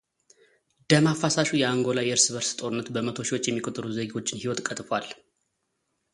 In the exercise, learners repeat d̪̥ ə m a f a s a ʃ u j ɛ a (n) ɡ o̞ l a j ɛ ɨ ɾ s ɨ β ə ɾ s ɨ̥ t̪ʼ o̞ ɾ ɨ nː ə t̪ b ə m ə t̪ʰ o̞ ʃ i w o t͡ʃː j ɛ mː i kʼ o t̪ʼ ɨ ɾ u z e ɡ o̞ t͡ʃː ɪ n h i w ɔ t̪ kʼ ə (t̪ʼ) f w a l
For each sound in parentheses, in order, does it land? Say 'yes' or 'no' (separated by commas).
no, yes